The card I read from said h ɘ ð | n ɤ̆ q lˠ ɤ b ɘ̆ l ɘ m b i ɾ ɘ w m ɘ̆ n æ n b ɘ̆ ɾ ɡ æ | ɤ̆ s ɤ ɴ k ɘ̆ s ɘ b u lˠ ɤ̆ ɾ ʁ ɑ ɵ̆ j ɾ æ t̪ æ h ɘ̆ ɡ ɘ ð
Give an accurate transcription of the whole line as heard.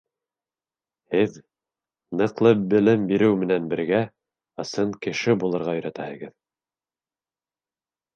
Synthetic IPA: h ɘ ð | n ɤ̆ q lˠ ɤ b ɘ̆ l ɘ m b i ɾ ɘ w m ɘ̆ n æ n b ɘ̆ ɾ ɡ æ | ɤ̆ s ɤ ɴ k ɘ̆ ʃ ɘ b u lˠ ɤ̆ ɾ ʁ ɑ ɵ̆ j ɾ æ t̪ æ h ɘ̆ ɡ ɘ ð